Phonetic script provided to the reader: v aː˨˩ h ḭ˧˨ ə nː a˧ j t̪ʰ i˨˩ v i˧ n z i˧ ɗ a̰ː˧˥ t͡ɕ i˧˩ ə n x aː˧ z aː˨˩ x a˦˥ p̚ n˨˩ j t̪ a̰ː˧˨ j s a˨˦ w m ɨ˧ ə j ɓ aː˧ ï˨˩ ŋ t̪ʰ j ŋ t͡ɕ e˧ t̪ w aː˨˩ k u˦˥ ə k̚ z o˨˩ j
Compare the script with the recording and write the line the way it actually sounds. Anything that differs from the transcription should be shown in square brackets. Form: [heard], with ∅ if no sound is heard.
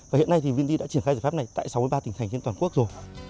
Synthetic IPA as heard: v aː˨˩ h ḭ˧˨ ə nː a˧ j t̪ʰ i˨˩ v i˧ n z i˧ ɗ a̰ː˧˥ t͡ɕ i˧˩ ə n x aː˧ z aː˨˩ [f] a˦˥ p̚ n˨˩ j t̪ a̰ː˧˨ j s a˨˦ w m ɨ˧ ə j ɓ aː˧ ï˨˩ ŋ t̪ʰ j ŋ t͡ɕ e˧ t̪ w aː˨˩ k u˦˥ ə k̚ z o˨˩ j